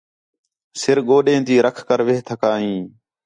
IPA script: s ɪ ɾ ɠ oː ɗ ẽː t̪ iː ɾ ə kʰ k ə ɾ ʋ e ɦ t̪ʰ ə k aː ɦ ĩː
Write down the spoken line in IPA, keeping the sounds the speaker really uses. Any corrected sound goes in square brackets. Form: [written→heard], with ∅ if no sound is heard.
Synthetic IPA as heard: s ɪ ɾ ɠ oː ɗ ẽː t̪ iː ɾ ə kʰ k ə ɾ ʋ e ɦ t̪ʰ ə k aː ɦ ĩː